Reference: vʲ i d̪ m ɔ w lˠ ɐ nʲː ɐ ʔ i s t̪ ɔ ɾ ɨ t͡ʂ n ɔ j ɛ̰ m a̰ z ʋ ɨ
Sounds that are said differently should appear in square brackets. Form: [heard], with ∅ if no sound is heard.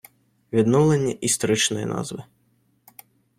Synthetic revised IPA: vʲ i d̪ [n] ɔ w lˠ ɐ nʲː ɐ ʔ i s t̪ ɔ ɾ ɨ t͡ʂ n ɔ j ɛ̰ [n] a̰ z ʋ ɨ